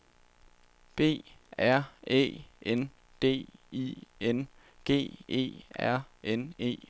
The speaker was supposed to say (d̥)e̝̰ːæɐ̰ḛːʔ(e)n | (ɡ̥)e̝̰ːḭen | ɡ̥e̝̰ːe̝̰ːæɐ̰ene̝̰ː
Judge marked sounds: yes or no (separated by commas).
no, yes, no